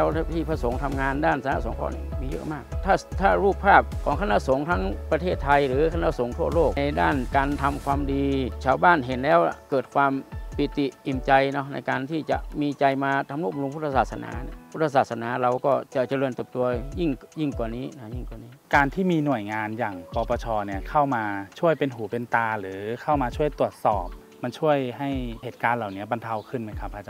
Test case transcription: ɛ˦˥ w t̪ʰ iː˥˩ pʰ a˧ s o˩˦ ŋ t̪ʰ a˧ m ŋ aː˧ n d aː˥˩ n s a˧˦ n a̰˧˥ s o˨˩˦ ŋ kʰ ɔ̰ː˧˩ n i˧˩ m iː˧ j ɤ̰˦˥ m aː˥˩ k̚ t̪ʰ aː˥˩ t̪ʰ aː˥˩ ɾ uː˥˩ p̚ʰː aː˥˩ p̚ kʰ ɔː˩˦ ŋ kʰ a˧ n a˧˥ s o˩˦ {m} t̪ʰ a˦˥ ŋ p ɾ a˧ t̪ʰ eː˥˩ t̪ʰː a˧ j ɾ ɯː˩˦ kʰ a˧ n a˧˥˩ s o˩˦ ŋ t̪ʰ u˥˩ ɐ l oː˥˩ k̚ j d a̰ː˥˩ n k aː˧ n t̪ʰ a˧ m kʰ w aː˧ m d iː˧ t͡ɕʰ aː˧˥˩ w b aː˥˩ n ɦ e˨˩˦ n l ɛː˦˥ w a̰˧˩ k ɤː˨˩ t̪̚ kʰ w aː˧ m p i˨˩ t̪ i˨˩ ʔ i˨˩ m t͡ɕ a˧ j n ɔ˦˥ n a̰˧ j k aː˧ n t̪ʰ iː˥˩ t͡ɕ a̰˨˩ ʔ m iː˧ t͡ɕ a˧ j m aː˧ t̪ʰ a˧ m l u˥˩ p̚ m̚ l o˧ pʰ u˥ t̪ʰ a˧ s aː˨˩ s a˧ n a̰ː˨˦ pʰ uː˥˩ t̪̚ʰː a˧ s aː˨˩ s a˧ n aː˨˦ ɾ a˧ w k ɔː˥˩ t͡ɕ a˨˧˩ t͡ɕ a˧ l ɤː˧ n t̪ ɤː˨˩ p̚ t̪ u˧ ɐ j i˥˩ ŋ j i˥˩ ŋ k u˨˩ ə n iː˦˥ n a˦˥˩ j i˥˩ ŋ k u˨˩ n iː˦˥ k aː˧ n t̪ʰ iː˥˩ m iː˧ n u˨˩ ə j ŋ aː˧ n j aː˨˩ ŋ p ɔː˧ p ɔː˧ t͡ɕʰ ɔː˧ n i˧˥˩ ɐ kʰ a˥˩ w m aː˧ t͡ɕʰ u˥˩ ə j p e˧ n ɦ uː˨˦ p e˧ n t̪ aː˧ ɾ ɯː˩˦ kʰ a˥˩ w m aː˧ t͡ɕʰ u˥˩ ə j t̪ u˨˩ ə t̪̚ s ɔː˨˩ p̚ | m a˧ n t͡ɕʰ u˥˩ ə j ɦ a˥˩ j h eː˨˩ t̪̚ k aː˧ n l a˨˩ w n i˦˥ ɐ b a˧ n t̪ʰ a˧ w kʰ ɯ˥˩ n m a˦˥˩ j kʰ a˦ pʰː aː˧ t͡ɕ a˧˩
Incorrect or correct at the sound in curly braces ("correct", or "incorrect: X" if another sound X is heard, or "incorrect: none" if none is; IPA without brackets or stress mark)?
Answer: incorrect: ŋ